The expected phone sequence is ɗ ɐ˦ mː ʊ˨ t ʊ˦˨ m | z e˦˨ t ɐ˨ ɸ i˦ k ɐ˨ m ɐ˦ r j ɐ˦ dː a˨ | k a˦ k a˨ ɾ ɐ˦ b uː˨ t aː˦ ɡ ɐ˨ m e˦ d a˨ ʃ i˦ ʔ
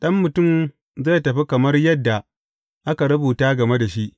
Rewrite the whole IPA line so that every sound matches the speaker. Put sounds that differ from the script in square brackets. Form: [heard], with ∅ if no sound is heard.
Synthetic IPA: ɗ ɐ˦ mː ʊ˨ t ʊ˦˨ m | z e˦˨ t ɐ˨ ɸ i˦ k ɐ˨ m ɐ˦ r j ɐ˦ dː a˨ | [ʔ] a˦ k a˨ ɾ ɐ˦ b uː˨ t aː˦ ɡ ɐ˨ m e˦ d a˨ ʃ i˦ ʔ